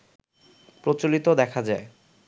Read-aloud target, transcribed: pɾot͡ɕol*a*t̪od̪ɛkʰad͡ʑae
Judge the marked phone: incorrect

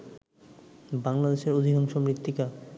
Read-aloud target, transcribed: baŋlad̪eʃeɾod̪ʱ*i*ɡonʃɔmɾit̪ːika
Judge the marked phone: correct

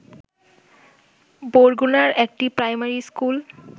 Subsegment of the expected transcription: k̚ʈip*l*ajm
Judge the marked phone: incorrect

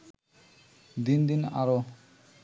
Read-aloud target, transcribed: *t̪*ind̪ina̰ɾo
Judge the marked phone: incorrect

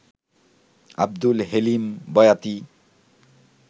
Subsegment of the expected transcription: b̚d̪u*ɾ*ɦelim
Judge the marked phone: incorrect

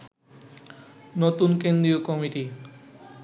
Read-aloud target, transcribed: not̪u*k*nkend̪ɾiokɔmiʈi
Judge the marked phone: incorrect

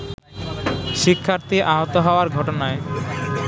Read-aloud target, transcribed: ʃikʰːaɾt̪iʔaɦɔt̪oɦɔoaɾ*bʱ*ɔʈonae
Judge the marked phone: incorrect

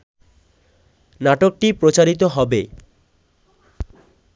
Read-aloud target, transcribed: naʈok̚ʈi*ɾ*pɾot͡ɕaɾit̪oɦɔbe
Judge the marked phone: incorrect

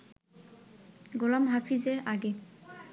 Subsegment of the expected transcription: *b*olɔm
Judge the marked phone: incorrect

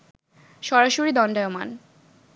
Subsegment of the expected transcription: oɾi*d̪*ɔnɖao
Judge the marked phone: correct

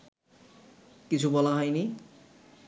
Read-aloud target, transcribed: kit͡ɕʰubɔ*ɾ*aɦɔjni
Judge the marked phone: incorrect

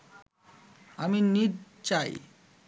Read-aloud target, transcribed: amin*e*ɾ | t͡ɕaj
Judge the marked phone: incorrect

